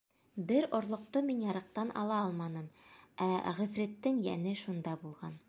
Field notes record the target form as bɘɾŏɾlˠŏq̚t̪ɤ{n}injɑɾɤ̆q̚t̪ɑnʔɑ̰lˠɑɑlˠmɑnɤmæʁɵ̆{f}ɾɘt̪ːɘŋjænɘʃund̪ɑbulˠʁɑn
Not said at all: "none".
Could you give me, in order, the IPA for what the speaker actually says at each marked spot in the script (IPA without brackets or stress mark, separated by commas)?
m, f